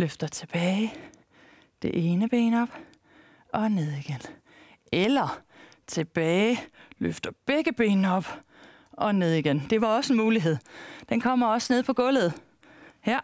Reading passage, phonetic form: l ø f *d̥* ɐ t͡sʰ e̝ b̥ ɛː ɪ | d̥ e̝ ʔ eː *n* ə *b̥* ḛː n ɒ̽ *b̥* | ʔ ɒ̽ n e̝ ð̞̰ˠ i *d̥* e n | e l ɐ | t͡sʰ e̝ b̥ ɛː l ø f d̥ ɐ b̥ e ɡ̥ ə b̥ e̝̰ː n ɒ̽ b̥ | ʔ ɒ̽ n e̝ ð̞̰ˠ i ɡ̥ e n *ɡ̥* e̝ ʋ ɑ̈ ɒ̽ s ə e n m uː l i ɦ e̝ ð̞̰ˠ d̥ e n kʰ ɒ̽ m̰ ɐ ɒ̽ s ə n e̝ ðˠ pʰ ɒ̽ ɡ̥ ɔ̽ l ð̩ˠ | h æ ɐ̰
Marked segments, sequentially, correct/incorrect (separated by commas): correct, correct, correct, correct, incorrect, incorrect